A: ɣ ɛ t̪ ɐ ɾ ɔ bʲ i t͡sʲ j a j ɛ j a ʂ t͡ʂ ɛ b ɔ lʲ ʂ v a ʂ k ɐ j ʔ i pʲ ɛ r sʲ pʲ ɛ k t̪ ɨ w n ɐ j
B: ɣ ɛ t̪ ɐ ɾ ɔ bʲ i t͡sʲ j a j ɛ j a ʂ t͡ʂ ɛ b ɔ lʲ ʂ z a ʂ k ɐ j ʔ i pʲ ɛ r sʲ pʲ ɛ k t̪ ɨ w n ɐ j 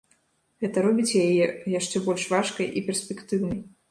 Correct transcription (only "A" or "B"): A